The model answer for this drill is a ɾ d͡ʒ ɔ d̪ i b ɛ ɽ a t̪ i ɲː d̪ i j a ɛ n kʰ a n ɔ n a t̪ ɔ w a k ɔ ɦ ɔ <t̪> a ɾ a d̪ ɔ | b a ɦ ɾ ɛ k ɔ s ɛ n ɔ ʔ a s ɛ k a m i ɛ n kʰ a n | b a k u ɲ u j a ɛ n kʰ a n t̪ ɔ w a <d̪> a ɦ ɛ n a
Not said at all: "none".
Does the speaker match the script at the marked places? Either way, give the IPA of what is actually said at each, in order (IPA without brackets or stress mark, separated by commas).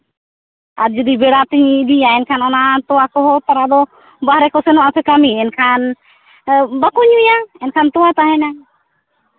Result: t̪, t̪